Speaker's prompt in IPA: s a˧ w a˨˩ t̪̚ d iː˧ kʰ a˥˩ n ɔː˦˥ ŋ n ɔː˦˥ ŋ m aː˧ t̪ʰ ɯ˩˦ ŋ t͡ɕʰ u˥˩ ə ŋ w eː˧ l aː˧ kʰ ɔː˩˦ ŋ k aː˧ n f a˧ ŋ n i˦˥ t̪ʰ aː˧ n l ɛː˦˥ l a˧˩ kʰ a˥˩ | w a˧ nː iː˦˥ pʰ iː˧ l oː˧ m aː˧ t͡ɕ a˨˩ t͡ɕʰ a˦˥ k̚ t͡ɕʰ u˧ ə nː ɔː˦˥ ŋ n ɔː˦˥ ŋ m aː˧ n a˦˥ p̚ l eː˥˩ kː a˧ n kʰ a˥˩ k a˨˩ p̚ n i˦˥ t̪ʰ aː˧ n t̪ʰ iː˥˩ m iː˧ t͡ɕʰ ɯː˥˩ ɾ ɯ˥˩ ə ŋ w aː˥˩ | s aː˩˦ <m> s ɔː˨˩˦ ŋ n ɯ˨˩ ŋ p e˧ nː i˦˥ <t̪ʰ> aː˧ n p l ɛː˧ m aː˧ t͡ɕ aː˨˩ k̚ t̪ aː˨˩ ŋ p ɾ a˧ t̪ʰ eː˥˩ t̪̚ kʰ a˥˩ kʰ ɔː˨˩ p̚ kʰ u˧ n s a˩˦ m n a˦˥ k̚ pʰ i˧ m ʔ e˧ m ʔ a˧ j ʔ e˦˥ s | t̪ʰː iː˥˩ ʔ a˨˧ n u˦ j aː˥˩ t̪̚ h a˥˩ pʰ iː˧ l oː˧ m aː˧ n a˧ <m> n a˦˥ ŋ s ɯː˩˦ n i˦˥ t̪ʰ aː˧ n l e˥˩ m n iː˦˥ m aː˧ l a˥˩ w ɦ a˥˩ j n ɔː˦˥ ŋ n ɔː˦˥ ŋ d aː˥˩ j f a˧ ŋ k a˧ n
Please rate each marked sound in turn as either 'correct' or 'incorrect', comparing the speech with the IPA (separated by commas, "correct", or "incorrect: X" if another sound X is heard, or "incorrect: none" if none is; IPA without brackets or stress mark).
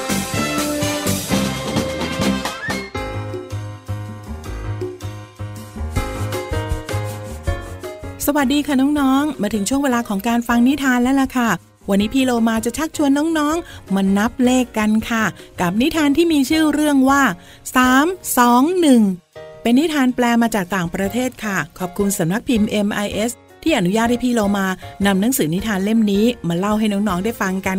correct, correct, correct